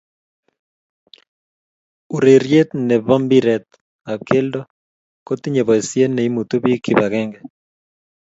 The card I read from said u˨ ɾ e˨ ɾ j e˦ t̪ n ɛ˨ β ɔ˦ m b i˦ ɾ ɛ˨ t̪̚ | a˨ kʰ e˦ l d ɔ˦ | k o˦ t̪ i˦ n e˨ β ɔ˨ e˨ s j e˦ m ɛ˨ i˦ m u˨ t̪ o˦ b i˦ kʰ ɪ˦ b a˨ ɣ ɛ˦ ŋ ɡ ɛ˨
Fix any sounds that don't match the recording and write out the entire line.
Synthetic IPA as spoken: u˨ ɾ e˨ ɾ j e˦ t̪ n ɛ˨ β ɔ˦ m b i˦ ɾ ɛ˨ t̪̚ | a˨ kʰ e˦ l d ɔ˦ | k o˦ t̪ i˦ ɲ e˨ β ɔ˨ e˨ s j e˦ n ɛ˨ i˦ m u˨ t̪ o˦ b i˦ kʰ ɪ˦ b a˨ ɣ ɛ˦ ŋ ɡ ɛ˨